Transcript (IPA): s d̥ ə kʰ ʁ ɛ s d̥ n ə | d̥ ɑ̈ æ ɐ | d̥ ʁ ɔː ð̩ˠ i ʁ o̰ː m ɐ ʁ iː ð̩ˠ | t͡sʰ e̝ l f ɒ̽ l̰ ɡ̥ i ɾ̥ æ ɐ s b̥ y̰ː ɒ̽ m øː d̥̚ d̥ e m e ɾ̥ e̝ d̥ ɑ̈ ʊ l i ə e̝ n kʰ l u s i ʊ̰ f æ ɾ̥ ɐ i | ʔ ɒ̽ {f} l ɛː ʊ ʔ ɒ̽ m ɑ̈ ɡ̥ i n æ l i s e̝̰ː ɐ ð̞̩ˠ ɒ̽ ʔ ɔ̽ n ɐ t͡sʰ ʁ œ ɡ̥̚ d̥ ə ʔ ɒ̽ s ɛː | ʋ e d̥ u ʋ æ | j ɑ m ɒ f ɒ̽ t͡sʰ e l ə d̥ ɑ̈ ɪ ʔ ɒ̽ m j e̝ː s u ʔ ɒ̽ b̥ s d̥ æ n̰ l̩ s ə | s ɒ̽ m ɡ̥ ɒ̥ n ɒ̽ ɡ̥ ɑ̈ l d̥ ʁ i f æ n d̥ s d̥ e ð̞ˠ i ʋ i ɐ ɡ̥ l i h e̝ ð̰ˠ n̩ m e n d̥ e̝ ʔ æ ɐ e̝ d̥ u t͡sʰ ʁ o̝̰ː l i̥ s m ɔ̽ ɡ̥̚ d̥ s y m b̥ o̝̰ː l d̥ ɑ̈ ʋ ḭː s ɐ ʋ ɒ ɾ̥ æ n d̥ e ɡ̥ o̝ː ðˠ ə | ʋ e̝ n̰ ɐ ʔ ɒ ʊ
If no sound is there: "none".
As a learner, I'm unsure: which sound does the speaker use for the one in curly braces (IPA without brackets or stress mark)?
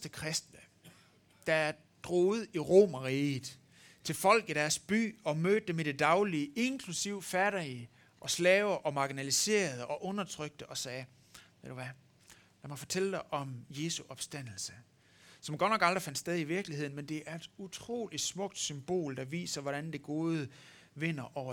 s